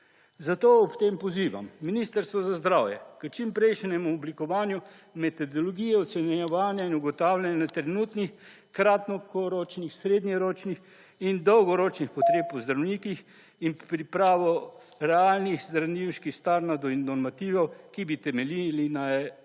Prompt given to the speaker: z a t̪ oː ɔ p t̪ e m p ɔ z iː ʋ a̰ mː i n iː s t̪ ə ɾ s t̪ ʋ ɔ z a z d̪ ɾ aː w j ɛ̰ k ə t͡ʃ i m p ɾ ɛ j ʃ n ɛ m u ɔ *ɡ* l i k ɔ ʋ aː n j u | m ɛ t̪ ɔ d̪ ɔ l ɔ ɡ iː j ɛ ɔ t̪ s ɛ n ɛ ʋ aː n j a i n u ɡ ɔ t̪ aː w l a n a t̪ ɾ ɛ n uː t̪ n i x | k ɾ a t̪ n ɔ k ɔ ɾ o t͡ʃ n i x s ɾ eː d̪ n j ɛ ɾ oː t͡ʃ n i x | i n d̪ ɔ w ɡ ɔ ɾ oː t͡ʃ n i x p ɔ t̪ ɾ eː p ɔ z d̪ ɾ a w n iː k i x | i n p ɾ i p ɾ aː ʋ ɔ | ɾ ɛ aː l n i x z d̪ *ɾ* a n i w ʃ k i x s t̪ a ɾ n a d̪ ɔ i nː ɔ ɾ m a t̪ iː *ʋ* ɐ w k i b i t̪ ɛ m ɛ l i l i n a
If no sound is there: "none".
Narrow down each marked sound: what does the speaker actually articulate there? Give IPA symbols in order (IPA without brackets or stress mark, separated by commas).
b, ɾ, ʋ